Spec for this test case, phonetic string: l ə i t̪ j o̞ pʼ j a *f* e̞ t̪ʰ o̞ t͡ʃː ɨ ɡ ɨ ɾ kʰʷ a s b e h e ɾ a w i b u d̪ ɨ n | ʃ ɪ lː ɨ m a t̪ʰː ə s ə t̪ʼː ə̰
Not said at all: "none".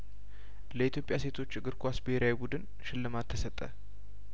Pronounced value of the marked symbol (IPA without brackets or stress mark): s